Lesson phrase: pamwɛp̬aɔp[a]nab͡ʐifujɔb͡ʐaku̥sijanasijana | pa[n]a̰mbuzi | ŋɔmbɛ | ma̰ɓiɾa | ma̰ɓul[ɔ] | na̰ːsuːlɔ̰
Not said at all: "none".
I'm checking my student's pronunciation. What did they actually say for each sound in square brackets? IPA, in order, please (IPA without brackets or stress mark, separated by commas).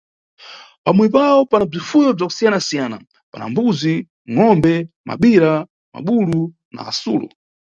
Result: a, n, u